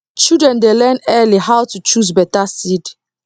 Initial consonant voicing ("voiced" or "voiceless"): voiceless